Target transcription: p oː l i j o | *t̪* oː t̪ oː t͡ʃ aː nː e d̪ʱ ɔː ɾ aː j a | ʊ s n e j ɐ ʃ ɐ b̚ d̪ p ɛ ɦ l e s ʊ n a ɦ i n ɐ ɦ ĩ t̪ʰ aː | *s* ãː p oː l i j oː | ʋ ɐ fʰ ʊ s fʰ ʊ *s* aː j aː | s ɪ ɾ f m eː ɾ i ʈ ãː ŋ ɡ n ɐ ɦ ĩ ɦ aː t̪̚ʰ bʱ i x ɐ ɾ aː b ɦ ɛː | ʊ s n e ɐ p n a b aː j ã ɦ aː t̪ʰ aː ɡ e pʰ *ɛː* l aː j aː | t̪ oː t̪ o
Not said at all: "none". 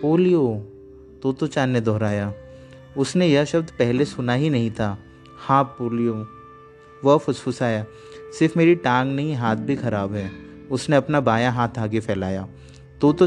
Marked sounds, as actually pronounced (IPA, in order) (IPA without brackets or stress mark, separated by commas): t̪, h, s, ɛː